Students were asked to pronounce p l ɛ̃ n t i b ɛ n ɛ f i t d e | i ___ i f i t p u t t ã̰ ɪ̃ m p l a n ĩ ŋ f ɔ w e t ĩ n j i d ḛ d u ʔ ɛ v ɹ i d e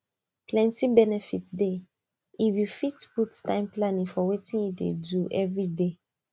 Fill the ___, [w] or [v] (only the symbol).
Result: w